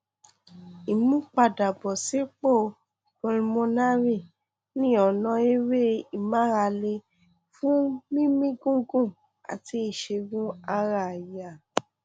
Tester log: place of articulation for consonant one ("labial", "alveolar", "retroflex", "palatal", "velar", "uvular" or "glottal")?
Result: labial